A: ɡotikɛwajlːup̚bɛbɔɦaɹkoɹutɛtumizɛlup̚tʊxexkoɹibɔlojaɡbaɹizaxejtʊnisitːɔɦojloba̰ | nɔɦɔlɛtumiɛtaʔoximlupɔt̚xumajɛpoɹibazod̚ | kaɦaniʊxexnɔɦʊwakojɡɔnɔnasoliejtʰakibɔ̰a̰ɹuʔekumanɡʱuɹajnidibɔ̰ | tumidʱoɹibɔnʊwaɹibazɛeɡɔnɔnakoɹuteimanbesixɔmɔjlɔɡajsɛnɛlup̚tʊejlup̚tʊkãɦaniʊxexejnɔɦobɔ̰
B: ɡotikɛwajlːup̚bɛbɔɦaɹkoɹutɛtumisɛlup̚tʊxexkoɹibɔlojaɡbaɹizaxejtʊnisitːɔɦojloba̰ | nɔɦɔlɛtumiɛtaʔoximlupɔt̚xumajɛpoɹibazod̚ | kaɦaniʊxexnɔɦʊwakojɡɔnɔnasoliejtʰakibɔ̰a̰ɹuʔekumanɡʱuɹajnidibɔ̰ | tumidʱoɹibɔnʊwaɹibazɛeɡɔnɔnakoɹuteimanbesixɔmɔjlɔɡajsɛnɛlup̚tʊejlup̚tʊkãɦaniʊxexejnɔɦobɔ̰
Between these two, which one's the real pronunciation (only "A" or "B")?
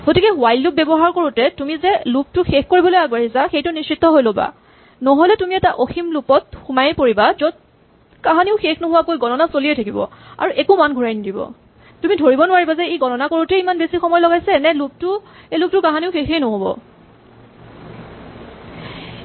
A